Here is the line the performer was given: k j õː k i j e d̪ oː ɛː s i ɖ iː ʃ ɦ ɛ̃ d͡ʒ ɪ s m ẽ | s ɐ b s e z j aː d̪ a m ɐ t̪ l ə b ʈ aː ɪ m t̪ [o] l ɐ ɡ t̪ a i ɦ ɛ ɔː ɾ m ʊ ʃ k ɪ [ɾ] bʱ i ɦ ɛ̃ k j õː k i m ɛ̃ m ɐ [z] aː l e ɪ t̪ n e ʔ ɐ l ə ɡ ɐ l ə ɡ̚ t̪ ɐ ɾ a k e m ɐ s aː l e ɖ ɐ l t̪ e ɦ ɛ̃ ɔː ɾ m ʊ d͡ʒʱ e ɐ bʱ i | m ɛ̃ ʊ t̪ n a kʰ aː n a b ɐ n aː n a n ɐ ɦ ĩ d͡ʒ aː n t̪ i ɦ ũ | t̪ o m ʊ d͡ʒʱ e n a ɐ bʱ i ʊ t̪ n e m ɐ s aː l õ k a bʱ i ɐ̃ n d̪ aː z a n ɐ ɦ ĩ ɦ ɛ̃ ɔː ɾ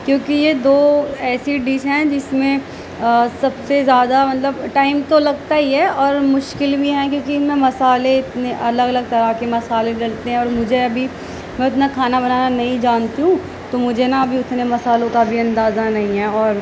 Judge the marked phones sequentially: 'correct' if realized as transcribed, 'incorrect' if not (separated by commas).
correct, incorrect, incorrect